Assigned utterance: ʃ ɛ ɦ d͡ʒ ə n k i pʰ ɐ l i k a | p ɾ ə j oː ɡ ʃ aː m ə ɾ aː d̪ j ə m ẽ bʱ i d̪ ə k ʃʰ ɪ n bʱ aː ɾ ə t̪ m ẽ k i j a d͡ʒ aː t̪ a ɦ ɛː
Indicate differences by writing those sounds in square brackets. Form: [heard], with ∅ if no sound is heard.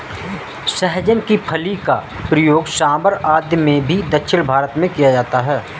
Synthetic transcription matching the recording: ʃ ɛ ɦ d͡ʒ ə n k i pʰ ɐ l i k a | p ɾ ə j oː ɡ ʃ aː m ə ɾ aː d̪ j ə m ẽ bʱ i d̪ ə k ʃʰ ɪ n bʱ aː ɾ ə t̪ m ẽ k i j a d͡ʒ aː t̪ a ɦ ɛː